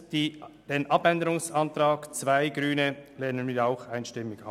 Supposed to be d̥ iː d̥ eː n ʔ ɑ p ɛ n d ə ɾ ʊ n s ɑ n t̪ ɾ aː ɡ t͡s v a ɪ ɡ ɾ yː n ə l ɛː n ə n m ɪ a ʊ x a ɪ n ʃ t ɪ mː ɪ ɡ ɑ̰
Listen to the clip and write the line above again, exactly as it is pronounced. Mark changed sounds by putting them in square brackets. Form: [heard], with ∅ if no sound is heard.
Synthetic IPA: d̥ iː d̥ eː n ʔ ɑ p ɛ n d ə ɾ ʊ [ŋ] s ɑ n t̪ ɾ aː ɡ t͡s v a ɪ ɡ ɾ yː n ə l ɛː n ə n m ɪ a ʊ x a ɪ n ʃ t ɪ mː ɪ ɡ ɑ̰